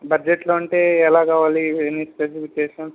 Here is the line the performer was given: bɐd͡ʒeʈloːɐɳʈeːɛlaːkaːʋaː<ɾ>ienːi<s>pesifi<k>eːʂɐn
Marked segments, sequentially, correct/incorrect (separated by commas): incorrect, correct, correct